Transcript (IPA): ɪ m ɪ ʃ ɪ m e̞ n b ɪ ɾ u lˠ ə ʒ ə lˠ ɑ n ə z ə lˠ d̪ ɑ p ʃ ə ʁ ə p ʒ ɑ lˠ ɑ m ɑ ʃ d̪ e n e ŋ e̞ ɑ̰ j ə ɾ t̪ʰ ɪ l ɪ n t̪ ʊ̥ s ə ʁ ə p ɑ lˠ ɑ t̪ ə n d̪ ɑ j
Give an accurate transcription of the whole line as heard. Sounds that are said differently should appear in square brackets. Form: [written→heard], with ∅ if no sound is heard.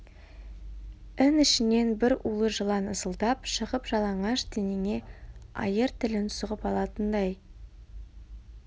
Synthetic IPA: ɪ [m→n] ɪ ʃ ɪ [m→n] e̞ n b ɪ ɾ u lˠ ə ʒ ə lˠ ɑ n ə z ə lˠ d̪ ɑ p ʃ ə ʁ ə p ʒ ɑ lˠ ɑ [m→ɴ] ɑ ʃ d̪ e n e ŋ e̞ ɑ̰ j ə ɾ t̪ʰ ɪ l ɪ n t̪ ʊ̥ s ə ʁ ə p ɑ lˠ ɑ t̪ ə n d̪ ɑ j